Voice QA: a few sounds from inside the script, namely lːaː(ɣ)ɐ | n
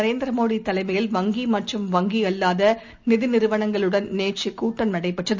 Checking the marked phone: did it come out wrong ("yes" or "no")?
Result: yes